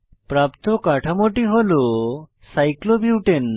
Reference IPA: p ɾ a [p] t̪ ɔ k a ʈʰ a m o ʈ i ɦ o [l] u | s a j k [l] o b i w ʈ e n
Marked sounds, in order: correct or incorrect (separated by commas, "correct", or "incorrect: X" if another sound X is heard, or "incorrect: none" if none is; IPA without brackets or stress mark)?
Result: correct, correct, correct